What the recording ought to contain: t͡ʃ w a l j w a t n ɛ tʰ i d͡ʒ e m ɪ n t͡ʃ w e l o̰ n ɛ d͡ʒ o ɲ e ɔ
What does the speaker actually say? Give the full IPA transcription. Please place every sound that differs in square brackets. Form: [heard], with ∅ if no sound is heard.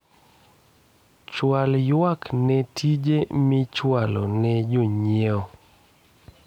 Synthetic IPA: t͡ʃ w a l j w a [k] n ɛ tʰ i d͡ʒ e m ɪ [∅] t͡ʃ w [a] l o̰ n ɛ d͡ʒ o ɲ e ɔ